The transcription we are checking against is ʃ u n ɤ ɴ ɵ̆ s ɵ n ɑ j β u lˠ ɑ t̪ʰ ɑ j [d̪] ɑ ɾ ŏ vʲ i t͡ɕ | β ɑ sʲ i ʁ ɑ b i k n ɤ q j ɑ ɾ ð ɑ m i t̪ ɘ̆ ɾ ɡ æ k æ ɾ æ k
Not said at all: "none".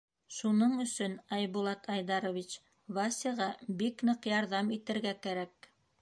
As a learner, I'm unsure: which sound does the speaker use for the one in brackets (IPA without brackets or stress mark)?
d̪